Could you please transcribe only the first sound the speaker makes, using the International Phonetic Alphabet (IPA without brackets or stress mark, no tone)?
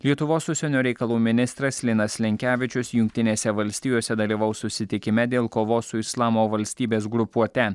lʲ